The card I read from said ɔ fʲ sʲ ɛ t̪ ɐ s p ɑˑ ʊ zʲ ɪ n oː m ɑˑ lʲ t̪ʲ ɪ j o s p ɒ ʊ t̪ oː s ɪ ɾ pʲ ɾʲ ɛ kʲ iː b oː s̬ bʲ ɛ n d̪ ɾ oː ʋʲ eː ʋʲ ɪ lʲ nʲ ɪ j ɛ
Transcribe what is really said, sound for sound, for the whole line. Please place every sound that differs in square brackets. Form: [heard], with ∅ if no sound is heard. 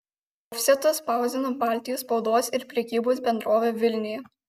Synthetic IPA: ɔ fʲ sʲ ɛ t̪ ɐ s p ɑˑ ʊ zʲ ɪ n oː [b] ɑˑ lʲ t̪ʲ ɪ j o s p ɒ ʊ [d̪] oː s ɪ ɾ pʲ ɾʲ ɛ kʲ iː b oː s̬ bʲ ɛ n d̪ ɾ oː ʋʲ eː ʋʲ ɪ lʲ nʲ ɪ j ɛ